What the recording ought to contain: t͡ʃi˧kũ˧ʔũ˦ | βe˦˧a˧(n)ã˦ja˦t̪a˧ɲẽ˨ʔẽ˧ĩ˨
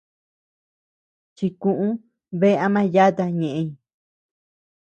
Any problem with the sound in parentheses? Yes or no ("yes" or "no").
yes